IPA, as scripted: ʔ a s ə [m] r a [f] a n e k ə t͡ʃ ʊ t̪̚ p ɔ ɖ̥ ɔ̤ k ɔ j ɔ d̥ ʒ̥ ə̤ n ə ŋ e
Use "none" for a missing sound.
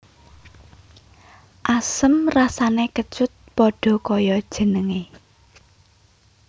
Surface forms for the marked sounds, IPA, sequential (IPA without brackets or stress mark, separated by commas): m, s